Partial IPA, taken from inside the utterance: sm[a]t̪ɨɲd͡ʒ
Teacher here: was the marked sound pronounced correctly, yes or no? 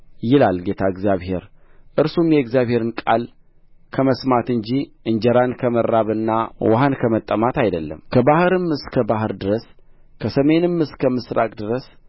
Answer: yes